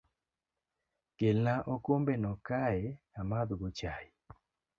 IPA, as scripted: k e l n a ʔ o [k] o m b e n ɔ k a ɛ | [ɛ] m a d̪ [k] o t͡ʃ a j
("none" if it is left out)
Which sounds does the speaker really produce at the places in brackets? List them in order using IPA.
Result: k, a, ɡ

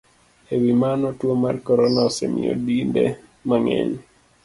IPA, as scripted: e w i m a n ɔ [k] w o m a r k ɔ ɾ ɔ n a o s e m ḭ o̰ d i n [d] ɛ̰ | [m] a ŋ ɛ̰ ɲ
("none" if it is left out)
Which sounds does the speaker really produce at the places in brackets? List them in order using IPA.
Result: t, d, m

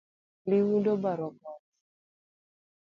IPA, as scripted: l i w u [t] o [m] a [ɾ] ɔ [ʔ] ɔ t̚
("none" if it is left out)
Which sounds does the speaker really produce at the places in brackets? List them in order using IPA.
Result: d, b, ɾ, k

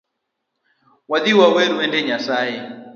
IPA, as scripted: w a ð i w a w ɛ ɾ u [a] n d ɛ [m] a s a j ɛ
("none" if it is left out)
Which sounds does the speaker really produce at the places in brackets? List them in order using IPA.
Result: ɛ, ɲ

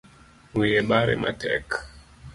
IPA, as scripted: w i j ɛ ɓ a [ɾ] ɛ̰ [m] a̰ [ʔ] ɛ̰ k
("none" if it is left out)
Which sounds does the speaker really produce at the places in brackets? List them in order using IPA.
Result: ɾ, m, t

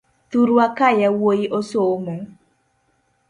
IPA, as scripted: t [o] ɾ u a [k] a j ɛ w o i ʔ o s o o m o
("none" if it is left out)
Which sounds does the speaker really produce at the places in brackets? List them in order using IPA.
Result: u, k

